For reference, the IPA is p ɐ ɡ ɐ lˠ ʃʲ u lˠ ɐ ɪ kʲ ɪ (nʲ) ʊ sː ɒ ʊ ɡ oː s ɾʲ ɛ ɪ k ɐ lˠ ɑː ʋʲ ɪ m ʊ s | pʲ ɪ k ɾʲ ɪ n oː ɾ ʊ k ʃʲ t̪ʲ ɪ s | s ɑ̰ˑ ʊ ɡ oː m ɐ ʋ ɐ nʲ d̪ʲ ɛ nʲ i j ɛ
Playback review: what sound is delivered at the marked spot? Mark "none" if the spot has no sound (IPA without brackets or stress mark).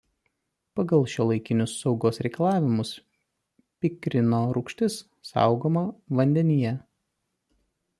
nʲ